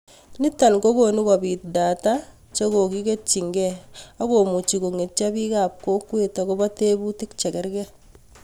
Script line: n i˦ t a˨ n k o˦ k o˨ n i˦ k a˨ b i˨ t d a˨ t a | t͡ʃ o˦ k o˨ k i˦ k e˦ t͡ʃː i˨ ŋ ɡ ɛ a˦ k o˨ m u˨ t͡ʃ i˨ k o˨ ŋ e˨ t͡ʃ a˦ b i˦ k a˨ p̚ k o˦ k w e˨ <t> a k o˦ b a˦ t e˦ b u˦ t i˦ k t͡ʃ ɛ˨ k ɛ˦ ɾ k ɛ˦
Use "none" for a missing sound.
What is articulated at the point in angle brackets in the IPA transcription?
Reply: t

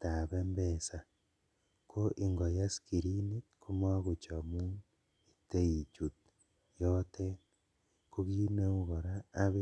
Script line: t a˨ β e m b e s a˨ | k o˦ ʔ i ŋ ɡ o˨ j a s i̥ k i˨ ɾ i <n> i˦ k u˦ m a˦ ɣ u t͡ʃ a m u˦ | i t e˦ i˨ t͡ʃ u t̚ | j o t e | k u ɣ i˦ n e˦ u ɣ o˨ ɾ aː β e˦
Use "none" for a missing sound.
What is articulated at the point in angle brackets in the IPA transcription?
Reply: n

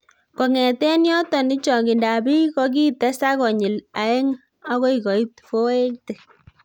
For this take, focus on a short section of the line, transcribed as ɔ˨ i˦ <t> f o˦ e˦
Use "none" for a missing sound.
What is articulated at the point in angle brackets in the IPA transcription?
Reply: t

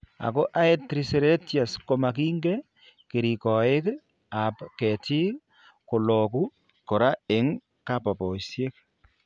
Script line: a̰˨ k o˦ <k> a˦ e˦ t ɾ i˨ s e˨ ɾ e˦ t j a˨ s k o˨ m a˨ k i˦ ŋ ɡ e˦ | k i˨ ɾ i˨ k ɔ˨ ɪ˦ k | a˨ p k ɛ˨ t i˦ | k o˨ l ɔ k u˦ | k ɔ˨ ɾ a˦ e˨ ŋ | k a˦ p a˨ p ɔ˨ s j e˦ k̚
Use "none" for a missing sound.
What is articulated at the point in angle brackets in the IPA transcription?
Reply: ʔ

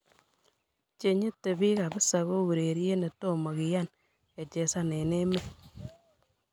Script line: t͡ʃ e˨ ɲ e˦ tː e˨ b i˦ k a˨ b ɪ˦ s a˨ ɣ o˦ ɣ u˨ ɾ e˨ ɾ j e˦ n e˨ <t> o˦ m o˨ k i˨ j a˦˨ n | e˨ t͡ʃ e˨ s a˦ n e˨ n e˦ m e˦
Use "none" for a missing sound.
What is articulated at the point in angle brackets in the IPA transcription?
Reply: t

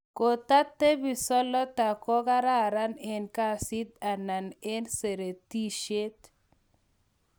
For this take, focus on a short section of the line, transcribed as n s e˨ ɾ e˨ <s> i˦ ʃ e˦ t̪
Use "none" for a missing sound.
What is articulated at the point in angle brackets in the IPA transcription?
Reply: t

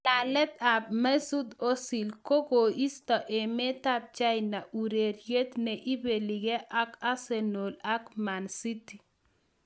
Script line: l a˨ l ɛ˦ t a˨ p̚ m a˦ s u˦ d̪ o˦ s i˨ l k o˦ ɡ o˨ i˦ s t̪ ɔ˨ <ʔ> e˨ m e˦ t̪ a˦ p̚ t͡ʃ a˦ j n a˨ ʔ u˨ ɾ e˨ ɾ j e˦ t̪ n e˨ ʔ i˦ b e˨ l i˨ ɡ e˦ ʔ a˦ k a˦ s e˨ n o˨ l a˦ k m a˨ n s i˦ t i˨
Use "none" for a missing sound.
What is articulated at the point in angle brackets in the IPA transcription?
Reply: ʔ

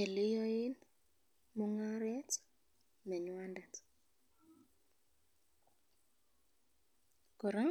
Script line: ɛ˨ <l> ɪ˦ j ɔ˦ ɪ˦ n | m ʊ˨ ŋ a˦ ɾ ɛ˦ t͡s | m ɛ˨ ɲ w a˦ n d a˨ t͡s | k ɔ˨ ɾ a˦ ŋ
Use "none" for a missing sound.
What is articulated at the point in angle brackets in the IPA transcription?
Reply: l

